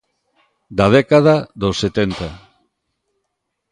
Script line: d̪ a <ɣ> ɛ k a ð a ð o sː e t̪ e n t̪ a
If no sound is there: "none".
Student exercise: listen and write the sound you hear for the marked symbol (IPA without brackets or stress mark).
ð